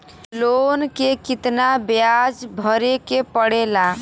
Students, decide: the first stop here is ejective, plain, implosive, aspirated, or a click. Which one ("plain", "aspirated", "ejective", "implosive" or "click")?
plain